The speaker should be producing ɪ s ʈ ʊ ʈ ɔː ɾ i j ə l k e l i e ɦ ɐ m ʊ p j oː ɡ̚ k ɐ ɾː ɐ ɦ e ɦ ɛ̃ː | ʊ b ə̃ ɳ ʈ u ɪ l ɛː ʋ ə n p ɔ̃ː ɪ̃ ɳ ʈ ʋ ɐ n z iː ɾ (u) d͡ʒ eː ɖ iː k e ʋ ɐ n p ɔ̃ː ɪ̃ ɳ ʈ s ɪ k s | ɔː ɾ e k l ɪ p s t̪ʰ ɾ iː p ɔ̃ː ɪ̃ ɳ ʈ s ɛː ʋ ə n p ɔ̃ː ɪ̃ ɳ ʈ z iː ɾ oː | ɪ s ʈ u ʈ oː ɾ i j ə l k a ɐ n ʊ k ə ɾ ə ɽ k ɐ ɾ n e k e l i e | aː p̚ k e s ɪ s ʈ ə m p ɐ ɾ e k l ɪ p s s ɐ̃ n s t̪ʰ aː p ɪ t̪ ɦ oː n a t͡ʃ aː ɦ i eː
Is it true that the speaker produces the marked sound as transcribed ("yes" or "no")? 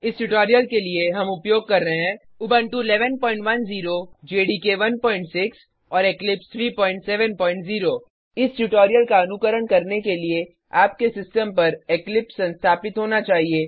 no